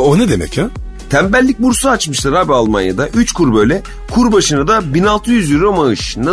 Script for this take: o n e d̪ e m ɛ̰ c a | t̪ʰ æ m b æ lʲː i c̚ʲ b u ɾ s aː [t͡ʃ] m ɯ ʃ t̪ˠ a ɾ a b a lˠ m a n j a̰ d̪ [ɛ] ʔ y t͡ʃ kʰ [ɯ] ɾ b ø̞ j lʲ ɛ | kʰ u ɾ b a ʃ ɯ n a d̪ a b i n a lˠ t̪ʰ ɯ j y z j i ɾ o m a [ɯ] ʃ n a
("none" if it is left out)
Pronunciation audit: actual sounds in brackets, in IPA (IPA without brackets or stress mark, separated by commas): t͡ʃ, a, u, ɯ